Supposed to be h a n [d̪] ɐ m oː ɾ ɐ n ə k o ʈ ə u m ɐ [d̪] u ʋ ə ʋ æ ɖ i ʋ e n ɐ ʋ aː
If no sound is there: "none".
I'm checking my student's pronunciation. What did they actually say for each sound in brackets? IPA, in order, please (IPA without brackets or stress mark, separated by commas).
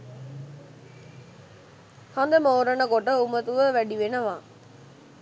d̪, t̪